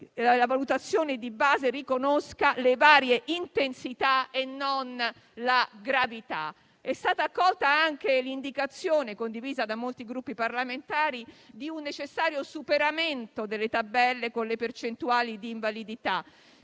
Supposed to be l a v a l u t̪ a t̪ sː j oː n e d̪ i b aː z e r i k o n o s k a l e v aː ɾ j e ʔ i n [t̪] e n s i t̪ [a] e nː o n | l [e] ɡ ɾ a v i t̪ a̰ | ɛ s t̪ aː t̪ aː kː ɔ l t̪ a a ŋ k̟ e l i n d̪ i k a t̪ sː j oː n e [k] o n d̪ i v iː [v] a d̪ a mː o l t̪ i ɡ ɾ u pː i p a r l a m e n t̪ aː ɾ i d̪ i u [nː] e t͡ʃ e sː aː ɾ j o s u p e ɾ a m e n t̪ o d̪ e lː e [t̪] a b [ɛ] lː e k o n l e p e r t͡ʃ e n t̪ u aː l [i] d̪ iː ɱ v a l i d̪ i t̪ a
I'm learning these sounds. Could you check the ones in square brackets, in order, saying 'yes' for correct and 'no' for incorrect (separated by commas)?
yes, yes, no, yes, no, yes, yes, yes, yes